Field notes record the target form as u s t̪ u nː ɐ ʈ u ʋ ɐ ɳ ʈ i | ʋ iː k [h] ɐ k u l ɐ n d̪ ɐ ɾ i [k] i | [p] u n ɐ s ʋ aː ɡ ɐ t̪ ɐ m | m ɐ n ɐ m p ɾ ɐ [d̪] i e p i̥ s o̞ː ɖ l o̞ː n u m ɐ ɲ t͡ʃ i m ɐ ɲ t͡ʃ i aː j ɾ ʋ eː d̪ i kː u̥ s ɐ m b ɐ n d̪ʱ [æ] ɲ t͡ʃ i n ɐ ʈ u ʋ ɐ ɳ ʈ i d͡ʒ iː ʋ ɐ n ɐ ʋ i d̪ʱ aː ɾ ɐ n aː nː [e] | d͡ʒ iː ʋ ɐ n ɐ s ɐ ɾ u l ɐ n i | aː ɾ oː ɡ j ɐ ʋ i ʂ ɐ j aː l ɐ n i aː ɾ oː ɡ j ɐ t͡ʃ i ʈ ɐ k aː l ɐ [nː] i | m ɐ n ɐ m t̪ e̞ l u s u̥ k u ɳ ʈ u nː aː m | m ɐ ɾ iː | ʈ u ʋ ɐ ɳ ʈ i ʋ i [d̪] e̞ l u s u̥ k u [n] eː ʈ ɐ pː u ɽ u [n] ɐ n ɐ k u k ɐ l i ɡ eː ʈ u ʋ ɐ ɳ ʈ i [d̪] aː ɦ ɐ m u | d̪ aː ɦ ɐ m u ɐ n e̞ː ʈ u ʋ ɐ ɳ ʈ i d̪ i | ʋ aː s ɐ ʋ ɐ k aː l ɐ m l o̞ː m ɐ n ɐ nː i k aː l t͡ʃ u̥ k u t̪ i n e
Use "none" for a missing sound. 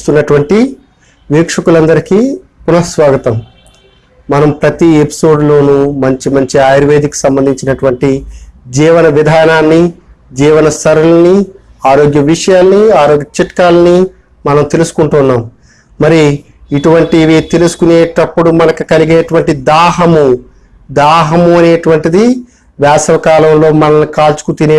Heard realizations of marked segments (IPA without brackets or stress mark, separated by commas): ʂ, k, p, t̪, i, i, n, t̪, n, m, d̪